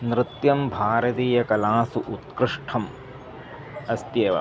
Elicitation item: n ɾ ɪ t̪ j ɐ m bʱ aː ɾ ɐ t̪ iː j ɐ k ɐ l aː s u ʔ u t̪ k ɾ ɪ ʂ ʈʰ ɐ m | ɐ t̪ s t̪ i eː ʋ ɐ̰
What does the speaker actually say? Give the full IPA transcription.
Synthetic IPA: n ɾ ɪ t̪ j ɐ m bʱ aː ɾ ɐ t̪ iː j ɐ k ɐ l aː s u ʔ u t̪ k ɾ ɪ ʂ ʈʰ ɐ m | ɐ s t̪ j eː ʋ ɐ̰